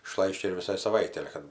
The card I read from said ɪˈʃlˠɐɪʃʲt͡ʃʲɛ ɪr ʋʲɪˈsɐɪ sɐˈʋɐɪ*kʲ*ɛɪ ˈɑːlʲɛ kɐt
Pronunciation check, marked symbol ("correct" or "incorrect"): incorrect